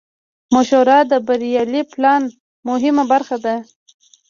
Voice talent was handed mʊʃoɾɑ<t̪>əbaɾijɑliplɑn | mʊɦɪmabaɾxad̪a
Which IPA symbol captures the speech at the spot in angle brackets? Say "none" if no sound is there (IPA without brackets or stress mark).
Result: d̪